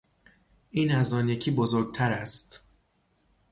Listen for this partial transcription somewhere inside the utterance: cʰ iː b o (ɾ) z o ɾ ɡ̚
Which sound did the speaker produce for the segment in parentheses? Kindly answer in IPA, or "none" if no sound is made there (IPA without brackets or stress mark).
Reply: none